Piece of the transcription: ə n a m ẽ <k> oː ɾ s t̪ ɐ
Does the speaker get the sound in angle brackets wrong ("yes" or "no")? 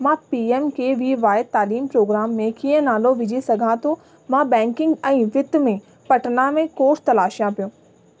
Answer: no